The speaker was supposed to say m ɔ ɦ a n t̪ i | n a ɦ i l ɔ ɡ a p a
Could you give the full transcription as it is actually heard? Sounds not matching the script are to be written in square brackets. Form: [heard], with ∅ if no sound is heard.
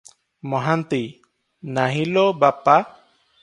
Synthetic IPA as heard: m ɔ ɦ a n t̪ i | n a ɦ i l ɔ [b] a p a